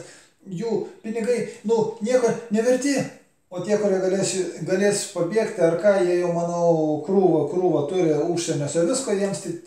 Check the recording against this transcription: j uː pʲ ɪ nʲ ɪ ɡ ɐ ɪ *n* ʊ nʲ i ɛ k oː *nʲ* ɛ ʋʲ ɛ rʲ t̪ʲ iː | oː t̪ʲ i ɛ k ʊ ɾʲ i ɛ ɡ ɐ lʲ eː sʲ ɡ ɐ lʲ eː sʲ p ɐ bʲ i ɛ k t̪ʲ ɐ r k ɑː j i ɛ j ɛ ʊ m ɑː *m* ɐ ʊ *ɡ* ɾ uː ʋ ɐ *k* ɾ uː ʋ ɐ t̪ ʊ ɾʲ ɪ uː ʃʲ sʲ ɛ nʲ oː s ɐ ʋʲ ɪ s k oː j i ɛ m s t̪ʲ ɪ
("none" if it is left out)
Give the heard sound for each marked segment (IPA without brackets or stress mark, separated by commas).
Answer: n, nʲ, n, k, k